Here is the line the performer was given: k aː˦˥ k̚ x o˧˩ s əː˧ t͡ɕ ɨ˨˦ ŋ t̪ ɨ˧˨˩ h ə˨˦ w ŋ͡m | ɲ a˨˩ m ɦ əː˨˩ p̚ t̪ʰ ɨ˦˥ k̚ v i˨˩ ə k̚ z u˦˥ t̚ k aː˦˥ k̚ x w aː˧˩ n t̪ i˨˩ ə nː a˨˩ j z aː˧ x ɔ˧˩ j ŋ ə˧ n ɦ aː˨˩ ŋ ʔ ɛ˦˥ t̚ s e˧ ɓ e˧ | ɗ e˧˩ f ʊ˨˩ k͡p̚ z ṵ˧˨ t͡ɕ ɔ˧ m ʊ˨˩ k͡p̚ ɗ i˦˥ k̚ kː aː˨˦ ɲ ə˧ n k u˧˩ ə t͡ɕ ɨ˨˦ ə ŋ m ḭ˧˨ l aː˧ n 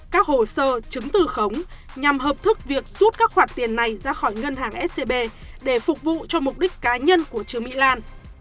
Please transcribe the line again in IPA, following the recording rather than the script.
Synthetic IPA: k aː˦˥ k̚ h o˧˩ s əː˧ t͡ɕ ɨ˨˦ ŋ t̪ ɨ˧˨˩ x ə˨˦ w ŋ͡m | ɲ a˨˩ m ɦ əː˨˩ p̚ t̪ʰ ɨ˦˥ k̚ v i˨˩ ə k̚ z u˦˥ t̚ k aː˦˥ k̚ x w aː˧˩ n t̪ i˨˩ ə nː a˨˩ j z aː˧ x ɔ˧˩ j ŋ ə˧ n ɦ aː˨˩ ŋ ʔ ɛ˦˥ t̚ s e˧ ɓ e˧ | ɗ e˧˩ f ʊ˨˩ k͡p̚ v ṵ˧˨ t͡ɕ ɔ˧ m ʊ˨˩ k͡p̚ ɗ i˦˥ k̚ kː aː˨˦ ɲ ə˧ n k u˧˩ ə t͡ɕ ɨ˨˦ ə ŋ m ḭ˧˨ l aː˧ n